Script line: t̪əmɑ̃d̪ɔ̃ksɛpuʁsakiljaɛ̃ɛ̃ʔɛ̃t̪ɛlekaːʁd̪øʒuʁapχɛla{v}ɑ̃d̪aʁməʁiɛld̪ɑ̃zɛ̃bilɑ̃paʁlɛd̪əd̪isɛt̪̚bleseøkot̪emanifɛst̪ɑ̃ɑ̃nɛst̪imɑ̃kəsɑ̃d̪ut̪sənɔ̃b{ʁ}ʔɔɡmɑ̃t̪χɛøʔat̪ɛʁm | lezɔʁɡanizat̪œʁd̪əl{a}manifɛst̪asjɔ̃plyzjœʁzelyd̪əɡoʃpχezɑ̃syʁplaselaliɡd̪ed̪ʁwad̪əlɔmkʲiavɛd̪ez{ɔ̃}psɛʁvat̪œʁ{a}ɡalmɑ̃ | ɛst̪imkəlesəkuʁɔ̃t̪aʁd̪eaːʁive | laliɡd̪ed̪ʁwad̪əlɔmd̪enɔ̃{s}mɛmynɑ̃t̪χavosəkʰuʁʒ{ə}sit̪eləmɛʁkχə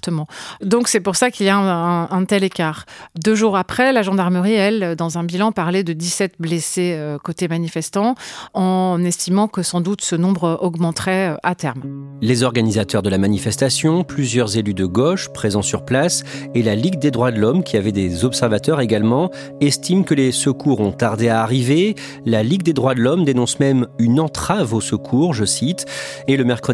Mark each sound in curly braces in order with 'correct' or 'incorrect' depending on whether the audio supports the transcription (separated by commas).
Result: incorrect, correct, correct, incorrect, incorrect, correct, correct